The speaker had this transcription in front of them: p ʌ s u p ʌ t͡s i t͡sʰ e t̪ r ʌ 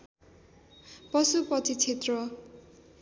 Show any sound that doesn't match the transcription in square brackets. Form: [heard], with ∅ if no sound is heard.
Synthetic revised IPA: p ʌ s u p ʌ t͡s i t͡sʰ e t̪ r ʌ